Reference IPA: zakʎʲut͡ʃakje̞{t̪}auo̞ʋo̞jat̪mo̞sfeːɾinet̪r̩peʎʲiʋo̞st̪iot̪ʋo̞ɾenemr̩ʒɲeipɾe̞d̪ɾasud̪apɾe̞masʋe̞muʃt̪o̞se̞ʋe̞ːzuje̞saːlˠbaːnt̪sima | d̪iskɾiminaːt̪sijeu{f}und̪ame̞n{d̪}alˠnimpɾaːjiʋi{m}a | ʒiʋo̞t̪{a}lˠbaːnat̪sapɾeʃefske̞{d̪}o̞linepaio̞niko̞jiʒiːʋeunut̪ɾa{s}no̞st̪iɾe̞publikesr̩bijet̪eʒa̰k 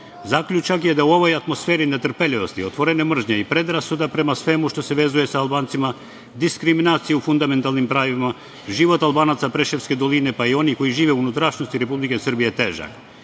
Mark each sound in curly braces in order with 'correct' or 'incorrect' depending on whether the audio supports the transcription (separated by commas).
incorrect, correct, incorrect, correct, correct, correct, incorrect